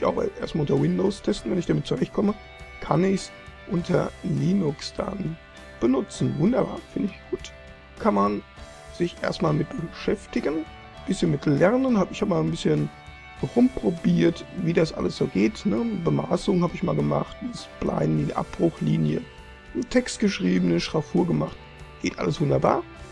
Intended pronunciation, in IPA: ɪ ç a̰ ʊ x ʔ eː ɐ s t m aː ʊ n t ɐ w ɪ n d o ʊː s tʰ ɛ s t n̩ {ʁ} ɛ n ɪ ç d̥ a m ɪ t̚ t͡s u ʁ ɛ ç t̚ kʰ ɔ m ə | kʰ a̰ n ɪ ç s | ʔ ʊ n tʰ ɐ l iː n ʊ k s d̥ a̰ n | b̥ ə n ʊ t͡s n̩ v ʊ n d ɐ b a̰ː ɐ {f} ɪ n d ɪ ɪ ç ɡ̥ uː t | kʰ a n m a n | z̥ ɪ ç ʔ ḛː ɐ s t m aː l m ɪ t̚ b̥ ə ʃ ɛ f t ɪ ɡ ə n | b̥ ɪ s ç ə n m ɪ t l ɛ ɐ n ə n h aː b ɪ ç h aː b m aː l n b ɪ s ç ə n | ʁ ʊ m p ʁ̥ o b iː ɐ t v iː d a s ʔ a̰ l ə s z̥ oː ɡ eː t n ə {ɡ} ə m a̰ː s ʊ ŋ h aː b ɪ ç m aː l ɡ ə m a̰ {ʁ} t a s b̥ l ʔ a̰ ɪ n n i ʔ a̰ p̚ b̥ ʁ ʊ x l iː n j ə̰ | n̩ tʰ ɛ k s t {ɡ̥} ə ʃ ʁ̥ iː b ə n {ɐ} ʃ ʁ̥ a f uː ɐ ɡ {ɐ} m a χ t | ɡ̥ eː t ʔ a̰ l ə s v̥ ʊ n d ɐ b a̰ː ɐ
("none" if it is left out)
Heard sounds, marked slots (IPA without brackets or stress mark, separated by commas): v, f, b, χ, ɡ̥, ə, ə